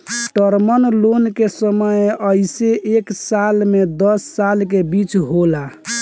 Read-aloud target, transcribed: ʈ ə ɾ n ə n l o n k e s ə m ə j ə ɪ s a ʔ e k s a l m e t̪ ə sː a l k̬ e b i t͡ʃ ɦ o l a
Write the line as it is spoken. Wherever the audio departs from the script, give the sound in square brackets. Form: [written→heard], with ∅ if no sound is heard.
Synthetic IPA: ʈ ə ɾ [n→m] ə n l o n k e s ə m ə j ə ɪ s [a→e] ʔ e k s a l m e [t̪→d̪] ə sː a l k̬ e b i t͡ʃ ɦ o l a